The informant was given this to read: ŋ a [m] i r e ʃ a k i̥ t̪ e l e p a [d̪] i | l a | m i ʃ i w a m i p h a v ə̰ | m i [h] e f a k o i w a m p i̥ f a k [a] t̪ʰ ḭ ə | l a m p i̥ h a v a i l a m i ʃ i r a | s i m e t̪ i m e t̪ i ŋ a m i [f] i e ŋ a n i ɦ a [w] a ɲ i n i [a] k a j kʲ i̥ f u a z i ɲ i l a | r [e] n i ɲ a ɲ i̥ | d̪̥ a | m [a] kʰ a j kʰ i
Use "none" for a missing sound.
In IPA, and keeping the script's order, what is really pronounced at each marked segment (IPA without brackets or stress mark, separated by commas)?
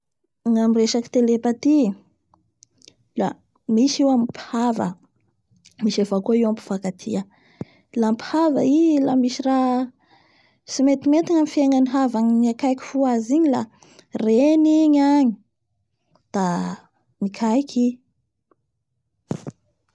m, t̪, ʃ, a, f, v, a, e, i